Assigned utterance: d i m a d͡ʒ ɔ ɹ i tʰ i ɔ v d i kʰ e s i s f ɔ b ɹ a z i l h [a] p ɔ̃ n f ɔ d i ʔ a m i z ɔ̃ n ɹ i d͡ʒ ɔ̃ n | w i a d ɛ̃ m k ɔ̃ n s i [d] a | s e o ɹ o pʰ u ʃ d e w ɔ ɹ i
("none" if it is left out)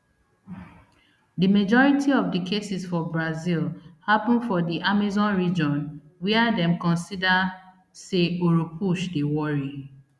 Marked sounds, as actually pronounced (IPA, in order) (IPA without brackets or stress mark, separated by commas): a, d